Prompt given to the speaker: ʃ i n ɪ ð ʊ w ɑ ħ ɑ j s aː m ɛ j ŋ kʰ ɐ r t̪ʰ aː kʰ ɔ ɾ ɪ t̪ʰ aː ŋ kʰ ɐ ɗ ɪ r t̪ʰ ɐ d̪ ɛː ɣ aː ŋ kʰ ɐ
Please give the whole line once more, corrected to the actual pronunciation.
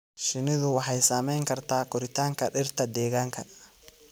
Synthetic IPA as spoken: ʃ ɪ n ɪ ð ʊ w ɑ ħ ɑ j s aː m ɛ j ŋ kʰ ɐ r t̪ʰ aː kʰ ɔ ɾ ɪ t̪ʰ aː ŋ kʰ ɐ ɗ ɪ r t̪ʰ ɐ d̪ ɛː ɣ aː ŋ kʰ ɐ